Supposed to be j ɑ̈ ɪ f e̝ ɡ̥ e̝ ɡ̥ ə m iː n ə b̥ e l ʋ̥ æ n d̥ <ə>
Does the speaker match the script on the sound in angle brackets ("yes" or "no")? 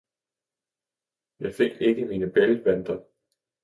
no